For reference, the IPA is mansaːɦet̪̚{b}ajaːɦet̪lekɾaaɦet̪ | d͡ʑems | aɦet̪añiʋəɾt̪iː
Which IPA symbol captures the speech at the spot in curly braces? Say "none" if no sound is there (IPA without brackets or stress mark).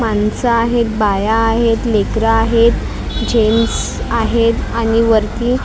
b